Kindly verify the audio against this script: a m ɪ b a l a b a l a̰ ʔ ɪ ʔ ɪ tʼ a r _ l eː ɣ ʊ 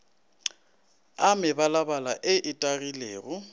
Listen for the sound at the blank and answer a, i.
i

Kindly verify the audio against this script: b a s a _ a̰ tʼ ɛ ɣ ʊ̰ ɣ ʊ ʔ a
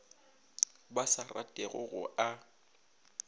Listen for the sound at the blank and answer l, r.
r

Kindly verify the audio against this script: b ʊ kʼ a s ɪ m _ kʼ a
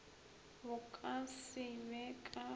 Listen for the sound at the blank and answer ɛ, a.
ɛ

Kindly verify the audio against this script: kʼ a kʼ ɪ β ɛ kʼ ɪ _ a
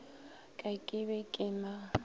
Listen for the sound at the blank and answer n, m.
m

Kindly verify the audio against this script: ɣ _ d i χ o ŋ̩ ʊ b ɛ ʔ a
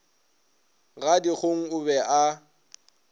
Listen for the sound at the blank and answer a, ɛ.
a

